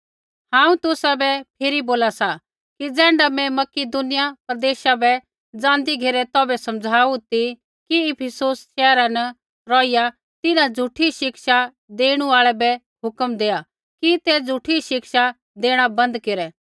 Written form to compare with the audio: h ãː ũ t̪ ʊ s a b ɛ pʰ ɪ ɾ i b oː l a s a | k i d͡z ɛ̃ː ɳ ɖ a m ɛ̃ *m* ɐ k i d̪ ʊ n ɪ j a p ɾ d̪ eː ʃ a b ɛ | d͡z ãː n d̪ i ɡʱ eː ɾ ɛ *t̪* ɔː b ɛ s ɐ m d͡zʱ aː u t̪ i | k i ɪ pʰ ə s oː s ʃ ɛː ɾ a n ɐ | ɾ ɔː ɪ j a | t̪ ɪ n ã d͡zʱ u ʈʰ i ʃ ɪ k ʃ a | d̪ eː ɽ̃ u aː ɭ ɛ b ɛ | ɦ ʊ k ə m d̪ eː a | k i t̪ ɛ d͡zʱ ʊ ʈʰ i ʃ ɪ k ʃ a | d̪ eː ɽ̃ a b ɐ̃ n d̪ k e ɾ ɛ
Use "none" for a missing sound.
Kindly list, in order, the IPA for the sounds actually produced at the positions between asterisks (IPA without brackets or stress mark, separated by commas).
m, t̪